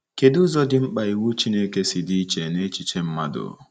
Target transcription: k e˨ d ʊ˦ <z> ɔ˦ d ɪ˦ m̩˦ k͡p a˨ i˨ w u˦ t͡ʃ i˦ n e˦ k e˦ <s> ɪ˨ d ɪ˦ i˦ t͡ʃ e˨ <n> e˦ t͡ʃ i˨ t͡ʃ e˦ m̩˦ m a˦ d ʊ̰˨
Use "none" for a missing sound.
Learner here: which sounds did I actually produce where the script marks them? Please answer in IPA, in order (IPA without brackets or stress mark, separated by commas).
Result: z, s, n